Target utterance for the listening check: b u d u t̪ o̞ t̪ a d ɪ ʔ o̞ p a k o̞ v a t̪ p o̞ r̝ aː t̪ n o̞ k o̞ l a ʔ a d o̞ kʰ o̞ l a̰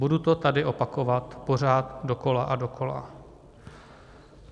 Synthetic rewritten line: b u d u t̪ o̞ t̪ a d ɪ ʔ o̞ p a k o̞ v a t̪ p o̞ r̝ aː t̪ d o̞ k o̞ l a ʔ a d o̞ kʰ o̞ l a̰